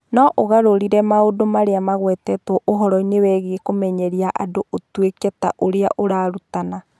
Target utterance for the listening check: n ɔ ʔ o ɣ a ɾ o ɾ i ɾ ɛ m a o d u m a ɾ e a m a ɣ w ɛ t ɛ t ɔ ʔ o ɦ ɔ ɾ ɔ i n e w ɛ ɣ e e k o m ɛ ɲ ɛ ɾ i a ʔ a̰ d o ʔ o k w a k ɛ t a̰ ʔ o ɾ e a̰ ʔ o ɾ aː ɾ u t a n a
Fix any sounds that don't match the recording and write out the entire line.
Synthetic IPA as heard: n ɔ ʔ o ɣ a ɾ o ɾ i ɾ ɛ m a o d o m a ɾ e a m a ɣ w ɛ t ɛ t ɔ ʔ o ɦ ɔ ɾ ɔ i n e w ɛ ɣ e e k o m ɛ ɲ ɛ ɾ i a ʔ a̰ d o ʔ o t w e k ɛ t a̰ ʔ o ɾ e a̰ ʔ o ɾ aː ɾ u t a n a